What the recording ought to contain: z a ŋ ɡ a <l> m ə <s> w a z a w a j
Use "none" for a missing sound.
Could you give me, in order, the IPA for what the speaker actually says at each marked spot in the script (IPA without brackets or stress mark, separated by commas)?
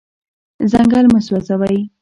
l, s